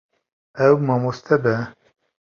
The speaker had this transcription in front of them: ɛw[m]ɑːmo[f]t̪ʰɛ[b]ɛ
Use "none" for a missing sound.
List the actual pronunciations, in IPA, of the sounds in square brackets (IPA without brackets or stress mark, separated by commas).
m, s, b